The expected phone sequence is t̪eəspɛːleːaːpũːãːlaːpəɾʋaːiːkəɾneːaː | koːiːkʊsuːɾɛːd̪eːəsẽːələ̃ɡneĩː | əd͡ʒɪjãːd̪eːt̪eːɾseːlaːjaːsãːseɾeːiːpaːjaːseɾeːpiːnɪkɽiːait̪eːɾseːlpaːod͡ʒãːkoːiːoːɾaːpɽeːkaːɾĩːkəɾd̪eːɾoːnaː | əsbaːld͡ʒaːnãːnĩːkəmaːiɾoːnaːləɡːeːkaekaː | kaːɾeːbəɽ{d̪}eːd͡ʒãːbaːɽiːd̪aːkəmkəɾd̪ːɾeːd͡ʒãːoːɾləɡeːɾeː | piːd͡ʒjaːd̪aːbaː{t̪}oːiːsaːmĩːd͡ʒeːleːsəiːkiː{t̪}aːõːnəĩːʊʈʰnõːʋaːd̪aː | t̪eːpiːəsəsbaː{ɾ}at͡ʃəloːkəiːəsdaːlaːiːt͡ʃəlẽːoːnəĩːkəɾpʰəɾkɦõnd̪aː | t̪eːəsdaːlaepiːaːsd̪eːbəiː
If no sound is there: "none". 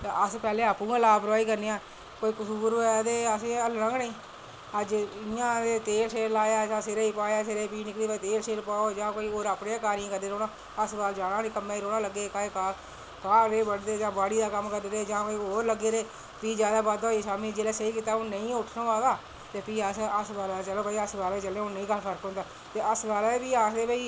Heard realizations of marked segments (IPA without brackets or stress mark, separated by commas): d̪, d̪, t̪, l